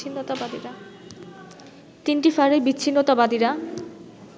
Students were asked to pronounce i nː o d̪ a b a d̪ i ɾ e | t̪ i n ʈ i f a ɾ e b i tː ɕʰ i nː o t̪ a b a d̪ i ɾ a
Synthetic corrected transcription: i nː o t̪ a b a d̪ i ɾ a | t̪ i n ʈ i f a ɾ e b i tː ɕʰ i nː o t̪ a b a d̪ i ɾ a